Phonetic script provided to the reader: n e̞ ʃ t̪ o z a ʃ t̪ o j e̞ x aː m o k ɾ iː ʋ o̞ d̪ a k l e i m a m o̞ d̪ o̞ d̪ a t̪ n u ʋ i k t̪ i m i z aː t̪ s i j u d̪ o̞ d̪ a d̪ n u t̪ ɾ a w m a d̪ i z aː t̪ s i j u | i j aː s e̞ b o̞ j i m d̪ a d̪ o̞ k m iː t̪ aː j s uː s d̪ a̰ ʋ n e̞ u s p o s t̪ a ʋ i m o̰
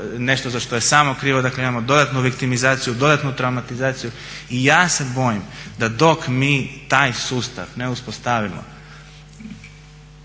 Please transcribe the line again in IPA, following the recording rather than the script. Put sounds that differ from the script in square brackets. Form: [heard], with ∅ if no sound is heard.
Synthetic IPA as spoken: n e̞ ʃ t̪ o z a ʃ t̪ o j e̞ [s] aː m o k ɾ iː ʋ o̞ d̪ a k l e i m a m o̞ d̪ o̞ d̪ a t̪ n u ʋ i k t̪ i m i z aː t̪ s i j u d̪ o̞ d̪ a [t̪] n u t̪ ɾ a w m a [t̪] i z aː t̪ s i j u | i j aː s e̞ b o̞ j i m d̪ a d̪ o̞ k m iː t̪ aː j s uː s [t̪] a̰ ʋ n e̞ u s p o s t̪ a ʋ i m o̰